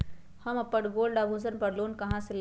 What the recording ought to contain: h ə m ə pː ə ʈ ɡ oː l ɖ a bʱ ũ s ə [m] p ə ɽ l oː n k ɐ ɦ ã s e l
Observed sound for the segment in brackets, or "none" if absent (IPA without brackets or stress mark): n